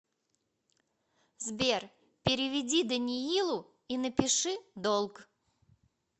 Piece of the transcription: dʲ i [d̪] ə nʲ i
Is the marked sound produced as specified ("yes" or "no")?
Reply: yes